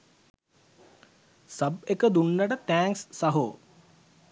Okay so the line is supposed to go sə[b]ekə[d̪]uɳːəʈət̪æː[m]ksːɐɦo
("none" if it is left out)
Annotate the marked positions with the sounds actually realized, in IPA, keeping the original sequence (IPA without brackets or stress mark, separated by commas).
b, d̪, ŋ